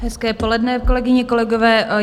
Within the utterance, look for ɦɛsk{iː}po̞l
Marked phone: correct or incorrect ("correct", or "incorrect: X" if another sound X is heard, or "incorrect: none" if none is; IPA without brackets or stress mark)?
incorrect: ɛː